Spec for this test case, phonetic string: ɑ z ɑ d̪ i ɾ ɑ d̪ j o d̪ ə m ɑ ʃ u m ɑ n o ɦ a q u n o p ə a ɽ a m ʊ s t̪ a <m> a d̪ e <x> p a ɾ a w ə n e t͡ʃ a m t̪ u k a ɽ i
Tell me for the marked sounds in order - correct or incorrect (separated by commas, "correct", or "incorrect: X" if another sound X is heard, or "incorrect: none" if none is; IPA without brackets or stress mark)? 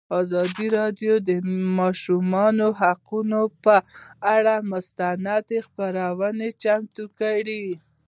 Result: incorrect: n, correct